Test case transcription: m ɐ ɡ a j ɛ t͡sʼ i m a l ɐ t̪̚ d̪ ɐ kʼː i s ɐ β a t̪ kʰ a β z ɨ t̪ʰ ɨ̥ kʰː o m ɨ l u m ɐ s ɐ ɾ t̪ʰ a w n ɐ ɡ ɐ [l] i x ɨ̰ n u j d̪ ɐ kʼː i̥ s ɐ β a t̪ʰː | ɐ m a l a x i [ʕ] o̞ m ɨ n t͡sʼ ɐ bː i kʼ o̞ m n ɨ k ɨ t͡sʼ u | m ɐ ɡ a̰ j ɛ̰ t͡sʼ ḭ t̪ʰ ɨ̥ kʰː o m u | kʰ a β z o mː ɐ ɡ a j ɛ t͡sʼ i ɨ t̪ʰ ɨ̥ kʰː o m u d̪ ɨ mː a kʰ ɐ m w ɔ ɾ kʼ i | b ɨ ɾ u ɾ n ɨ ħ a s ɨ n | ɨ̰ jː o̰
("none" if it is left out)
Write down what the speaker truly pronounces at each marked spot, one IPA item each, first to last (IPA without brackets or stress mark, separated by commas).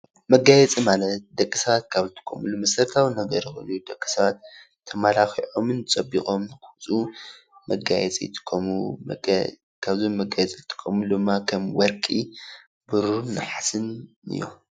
ɾ, ʕ